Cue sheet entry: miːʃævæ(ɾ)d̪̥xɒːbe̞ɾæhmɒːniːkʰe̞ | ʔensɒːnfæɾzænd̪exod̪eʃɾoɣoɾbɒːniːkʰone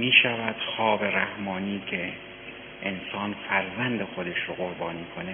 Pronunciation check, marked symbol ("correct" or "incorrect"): incorrect